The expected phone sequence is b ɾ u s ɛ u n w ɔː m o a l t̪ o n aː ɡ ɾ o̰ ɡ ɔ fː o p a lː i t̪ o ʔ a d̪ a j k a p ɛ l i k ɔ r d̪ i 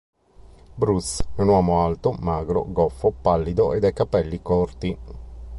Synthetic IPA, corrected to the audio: b ɾ u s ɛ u n w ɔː m o a l t̪ o m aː ɡ ɾ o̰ ɡ ɔ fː o p a lː i d̪ o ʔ e d̪ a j k a p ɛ lː i k ɔ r t̪ i